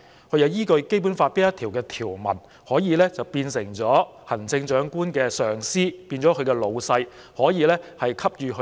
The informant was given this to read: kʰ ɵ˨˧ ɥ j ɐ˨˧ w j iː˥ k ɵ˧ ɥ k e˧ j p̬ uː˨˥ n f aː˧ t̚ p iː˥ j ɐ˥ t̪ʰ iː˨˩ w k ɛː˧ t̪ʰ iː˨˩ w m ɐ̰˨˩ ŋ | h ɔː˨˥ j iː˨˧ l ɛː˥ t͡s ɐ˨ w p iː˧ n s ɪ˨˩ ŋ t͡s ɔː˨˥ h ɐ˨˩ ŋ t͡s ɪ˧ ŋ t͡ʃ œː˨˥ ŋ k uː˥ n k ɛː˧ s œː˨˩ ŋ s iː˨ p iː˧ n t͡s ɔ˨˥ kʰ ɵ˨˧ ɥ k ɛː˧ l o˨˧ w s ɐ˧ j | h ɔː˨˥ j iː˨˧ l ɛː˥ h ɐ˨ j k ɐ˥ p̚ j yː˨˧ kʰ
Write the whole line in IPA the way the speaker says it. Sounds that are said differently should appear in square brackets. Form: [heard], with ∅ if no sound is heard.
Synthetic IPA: kʰ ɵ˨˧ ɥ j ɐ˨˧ w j iː˥ k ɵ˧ ɥ k [e˥] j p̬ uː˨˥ n f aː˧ t̚ p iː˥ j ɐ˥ t̪ʰ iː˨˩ w k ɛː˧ t̪ʰ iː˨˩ w m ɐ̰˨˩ [n] | h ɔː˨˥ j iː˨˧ l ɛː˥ t͡s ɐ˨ w p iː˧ n s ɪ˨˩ ŋ t͡s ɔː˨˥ h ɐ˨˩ [n] t͡s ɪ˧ ŋ t͡ʃ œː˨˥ ŋ k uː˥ n k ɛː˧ s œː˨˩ ŋ s [iː˥] p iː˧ n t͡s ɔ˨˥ kʰ ɵ˨˧ ɥ k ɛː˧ l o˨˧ w s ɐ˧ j | h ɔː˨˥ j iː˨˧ l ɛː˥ h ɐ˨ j [kʰ] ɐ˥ p̚ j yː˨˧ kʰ

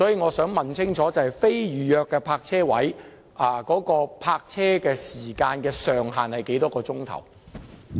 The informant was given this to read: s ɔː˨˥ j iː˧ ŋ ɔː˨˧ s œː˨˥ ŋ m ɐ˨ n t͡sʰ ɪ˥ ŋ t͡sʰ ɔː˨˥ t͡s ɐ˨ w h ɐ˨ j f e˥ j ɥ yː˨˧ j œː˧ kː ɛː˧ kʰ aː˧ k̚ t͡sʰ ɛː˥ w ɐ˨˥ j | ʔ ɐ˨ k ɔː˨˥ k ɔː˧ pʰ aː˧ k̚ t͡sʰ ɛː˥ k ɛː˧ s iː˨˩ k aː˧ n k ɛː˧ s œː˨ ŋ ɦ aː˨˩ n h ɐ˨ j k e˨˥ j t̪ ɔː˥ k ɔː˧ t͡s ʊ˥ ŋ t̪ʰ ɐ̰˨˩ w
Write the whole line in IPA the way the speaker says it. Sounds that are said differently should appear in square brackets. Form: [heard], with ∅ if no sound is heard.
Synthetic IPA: s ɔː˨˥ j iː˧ ŋ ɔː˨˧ s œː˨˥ ŋ m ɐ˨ n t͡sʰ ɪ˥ ŋ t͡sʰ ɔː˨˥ t͡s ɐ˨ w h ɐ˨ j f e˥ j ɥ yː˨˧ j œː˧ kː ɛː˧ [pʰ] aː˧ k̚ t͡sʰ ɛː˥ w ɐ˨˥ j | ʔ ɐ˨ k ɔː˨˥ k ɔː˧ pʰ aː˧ k̚ t͡sʰ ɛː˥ k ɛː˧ s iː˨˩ k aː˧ n k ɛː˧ s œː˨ ŋ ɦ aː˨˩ n h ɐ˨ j k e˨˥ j t̪ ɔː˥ k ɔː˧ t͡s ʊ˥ ŋ t̪ʰ ɐ̰˨˩ w

